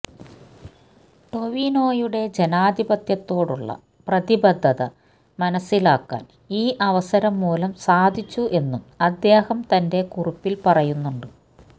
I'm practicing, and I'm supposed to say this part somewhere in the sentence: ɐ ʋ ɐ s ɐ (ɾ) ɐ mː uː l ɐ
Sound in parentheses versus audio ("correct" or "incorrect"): correct